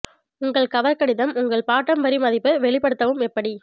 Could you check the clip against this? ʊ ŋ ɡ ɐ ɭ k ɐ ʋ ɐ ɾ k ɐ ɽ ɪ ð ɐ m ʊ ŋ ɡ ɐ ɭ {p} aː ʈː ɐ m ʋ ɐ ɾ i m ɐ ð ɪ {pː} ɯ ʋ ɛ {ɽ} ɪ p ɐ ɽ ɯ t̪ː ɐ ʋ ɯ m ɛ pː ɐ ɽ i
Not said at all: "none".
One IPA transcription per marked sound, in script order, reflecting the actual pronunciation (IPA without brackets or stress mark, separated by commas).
p, pː, ɭ